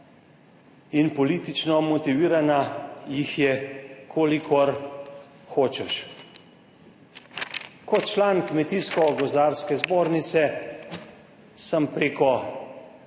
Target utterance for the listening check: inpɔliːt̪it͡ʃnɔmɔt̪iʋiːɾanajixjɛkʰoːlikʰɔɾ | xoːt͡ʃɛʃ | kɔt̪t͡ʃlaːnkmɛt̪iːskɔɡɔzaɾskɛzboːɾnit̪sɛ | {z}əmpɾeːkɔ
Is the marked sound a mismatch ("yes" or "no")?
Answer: yes